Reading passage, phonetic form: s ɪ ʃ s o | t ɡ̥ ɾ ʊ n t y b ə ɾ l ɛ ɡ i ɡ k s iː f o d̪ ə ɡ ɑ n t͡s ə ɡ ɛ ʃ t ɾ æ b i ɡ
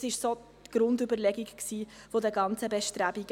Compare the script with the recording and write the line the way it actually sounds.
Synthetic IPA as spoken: s ɪ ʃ s o | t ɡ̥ ɾ ʊ n d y b ə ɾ l ɛ ɡ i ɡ k s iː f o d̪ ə ɡ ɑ n t͡s ə b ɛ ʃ t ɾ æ b i ɡ

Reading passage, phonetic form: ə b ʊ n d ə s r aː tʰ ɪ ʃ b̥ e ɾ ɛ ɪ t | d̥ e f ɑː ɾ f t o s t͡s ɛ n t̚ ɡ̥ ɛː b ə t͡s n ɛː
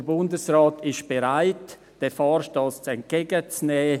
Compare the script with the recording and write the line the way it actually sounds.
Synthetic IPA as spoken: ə b ʊ n d ə s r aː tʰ ɪ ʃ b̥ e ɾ a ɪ t | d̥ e f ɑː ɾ ʃ t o s t͡s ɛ n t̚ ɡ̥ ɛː ɡ ə t͡s n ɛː

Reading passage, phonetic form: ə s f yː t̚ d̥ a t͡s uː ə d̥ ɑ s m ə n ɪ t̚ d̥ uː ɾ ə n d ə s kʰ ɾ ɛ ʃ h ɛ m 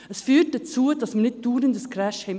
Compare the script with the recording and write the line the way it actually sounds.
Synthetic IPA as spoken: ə s f yː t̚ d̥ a t͡s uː ə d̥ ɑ s m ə n ɪ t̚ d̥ uː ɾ ə n d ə s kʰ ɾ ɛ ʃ h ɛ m

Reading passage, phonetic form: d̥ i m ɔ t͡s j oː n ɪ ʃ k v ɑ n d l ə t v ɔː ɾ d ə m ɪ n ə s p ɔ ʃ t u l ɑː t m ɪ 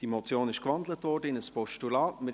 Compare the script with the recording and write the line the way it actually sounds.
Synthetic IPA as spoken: d̥ i m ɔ t͡s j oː n ɪ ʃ k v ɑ n d l ə t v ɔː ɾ d ə ɪ n ə s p ɔ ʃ t u l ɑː t m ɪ

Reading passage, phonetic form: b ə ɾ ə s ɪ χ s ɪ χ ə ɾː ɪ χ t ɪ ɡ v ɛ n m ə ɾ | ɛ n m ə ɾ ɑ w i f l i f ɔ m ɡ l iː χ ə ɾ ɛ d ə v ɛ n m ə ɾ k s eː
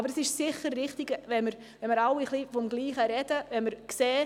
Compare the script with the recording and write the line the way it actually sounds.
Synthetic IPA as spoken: b ə ɾ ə s ɪ ʃ s ɪ χ ə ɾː ɪ χ t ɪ ɡ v ɛ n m ə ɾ | ɛ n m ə ɾ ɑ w i χ l i f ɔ m ɡ l iː χ ə ɾ ɛ d ə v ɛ n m ə ɾ k s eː

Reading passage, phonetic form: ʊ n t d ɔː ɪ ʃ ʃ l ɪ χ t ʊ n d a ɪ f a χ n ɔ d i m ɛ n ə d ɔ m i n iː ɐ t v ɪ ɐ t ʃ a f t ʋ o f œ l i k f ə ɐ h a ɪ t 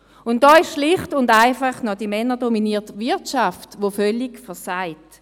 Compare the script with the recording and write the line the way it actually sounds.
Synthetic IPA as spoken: ʊ n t d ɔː ɪ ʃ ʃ l ɪ χ t ʊ n d a ɪ f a χ n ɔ d i m ɛ n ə d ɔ m i n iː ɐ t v ɪ ɐ t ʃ a f t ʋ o f œ l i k f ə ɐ s a ɪ t

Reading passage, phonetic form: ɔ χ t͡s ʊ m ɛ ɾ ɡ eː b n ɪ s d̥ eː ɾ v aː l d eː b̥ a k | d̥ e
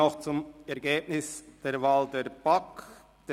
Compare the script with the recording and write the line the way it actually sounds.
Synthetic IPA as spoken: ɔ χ t͡s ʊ m ɛ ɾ ɡ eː b n ɪ s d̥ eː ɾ v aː l d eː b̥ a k | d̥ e

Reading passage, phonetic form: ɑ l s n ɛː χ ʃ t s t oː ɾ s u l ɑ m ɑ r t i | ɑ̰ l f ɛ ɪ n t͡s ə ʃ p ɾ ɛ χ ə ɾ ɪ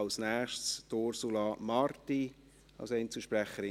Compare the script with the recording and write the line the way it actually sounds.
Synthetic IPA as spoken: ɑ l s n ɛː χ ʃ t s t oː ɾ s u l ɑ m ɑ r t i | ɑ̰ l s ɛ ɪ n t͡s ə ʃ p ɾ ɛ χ ə ɾ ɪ

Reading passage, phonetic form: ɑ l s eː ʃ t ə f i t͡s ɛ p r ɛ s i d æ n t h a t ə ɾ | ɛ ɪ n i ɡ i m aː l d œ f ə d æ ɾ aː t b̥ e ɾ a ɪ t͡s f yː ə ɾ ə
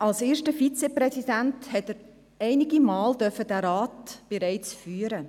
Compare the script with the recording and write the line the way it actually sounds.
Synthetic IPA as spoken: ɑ l s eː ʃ t ə f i t͡s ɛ p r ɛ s i d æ n t h ɛ t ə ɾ | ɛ ɪ n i ɡ i m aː l d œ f ə d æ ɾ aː t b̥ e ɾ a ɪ t͡s f yː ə ɾ ə

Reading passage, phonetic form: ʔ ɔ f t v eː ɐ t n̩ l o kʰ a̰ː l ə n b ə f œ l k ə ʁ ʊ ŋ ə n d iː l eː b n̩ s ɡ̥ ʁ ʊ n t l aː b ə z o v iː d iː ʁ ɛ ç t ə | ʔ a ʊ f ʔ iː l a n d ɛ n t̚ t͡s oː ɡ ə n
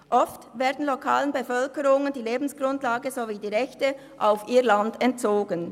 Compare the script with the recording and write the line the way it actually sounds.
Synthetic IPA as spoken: ʔ ɔ f t v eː ɐ d n̩ l o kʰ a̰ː l ə n b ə f œ l k ə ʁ ʊ ŋ ə n d iː l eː b n̩ s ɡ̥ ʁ ʊ n t l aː ɡ ə z o v iː d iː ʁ ɛ ç t ə | ʔ a ʊ f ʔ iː l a n d ɛ n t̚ t͡s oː ɡ ə n

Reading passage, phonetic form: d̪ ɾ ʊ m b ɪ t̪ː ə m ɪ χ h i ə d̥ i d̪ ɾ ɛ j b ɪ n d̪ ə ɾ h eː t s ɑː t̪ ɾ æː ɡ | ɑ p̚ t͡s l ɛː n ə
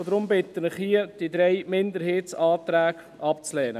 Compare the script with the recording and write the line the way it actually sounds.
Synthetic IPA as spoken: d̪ ɾ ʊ m b ɪ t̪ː ə n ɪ χ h i ə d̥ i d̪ ɾ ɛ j m ɪ n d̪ ə ɾ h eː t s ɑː t̪ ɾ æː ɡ | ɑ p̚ t͡s l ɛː n ə

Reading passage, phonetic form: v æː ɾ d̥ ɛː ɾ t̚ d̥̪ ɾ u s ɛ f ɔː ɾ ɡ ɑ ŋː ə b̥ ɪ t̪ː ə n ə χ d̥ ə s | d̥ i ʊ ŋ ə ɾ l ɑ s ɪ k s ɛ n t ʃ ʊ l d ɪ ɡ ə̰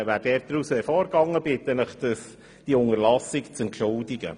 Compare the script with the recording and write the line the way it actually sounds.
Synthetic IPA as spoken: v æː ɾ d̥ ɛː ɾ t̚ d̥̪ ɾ u s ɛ f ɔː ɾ ɡ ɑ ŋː ə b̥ ɪ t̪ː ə n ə χ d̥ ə s | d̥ i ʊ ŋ ə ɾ l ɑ s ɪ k t͡s ɛ n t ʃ ʊ l d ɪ ɡ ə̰

